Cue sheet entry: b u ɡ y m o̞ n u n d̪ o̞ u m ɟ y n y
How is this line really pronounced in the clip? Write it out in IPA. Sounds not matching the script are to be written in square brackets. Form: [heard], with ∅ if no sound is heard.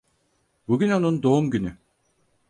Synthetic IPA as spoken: b u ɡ y [n] o̞ n u n d̪ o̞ u m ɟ y n y